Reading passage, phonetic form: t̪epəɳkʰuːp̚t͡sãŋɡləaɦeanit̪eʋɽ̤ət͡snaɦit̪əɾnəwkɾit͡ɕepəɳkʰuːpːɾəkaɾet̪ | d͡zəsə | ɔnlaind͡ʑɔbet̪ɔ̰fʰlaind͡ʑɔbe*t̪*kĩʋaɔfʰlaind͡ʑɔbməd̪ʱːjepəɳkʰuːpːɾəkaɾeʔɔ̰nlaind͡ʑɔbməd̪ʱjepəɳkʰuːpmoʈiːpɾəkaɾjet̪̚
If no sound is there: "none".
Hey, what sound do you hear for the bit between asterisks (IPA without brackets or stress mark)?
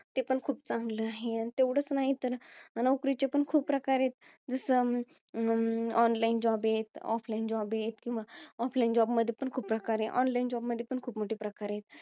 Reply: t̪